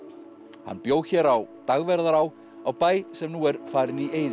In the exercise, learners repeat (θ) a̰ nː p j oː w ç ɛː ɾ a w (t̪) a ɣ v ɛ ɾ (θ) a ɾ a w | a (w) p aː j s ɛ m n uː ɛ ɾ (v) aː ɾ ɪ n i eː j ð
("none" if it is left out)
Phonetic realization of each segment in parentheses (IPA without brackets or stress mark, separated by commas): h, t̪, ð, w, f